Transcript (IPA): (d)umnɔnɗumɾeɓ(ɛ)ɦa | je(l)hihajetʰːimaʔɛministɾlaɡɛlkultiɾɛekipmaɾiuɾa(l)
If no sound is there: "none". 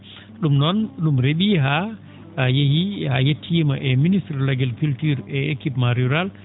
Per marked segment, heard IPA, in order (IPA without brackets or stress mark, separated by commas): ɗ, i, none, l